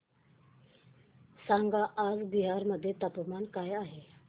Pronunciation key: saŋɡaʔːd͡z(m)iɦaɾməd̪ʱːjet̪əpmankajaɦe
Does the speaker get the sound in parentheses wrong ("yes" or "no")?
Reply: yes